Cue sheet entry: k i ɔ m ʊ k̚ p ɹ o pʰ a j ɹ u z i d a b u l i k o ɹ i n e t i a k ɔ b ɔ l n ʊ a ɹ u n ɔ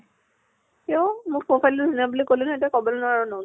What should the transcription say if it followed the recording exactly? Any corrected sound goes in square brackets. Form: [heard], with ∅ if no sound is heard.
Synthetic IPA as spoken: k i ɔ m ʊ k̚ p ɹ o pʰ a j [l] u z i [n] a b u l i k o [l] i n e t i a k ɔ b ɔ l n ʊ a ɹ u n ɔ